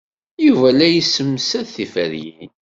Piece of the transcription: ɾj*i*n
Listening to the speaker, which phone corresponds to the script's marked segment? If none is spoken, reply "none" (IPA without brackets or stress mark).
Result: i